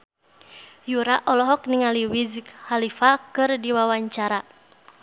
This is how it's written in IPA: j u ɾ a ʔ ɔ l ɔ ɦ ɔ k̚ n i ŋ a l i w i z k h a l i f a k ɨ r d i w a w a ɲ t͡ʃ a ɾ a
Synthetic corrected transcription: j u ɾ a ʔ ɔ l ɔ ɦ ɔ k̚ n i ŋ a l i w i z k h a l i f a k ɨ r d i w a w a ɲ t͡ʃ a ɾ a